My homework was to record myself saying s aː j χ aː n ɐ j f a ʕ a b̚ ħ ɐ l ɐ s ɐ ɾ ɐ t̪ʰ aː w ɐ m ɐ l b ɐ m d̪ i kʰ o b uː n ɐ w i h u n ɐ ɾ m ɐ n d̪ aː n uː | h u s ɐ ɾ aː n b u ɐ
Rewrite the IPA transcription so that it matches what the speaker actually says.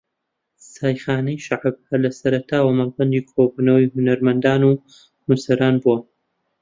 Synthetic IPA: s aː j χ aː n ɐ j ʃ a ʕ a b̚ h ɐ l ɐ s ɐ ɾ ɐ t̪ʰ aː w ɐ m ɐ l b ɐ n d̪ i kʰ o b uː n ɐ w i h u n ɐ ɾ m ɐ n d̪ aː n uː | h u s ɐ ɾ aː n b u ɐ

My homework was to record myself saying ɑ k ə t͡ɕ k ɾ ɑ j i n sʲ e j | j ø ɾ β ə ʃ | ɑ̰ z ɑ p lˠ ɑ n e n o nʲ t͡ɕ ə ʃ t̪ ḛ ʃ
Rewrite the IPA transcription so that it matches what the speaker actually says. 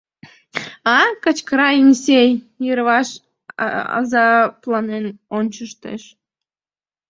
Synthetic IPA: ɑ k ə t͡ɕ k ɾ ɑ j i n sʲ e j | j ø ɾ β ɑ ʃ | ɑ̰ z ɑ p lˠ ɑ n e n o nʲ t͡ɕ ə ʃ t̪ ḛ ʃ

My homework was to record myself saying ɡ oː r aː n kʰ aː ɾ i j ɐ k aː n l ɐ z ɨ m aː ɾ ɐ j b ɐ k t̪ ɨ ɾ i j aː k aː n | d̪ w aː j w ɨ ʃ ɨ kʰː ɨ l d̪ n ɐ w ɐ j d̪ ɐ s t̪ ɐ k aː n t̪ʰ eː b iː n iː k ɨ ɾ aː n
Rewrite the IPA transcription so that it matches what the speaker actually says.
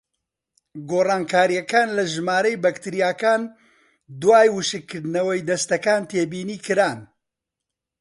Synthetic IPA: ɡ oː r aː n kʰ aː ɾ i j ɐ k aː n l ɐ ʒ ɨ m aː ɾ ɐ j b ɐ k t̪ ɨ ɾ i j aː k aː n | d̪ w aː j w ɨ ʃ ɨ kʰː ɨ ɾ d̪ n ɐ w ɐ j d̪ ɐ s t̪ ɐ k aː n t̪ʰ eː b iː n iː k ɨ ɾ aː n

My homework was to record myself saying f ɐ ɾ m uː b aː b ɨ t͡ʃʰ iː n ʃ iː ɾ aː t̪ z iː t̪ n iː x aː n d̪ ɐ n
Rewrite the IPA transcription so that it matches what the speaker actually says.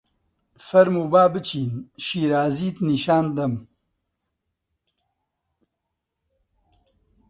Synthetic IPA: f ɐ ɾ m uː b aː b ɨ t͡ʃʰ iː n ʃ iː ɾ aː z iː t̪ n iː ʃ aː n d̪ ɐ m

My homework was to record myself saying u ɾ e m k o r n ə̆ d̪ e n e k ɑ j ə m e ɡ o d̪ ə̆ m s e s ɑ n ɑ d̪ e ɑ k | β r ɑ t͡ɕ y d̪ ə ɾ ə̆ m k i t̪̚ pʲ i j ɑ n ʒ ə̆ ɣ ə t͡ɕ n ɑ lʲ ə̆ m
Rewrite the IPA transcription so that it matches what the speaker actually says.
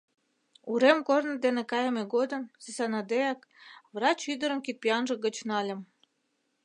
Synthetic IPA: u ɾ e m k o r n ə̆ d̪ e n e k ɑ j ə m e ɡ o d̪ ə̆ m s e s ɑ n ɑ d̪ e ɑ k | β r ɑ t͡ɕ y d̪ ə ɾ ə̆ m k i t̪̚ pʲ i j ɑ n ʒ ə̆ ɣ ə t͡ɕ n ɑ lʲ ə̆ m

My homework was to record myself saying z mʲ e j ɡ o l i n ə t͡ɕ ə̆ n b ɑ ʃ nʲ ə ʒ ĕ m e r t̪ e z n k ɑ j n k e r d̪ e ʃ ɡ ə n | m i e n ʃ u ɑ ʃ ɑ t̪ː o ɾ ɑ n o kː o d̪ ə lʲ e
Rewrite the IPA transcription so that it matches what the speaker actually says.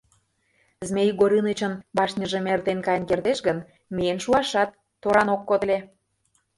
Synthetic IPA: z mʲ e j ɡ o ɾ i n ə t͡ɕ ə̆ n b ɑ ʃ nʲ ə ʒ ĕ m e r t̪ e n k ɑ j n k e r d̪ e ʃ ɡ ə n | m i e n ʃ u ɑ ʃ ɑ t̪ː o ɾ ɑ n o kː o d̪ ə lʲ e

